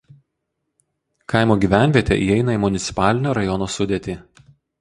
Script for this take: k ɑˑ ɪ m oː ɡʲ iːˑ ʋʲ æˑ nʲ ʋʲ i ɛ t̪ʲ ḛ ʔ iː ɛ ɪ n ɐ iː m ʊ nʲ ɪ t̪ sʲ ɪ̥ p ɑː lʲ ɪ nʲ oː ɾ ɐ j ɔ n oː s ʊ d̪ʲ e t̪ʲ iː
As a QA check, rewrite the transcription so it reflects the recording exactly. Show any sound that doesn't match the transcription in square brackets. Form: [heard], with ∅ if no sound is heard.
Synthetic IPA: k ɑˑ ɪ m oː ɡʲ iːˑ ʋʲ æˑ nʲ ʋʲ i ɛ t̪ʲ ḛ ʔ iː ɛ ɪ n ɐ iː m ʊ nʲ ɪ t̪ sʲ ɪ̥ p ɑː lʲ ɪ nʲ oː ɾ ɐ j ɔ n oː s ʊ d̪ʲ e t̪ʲ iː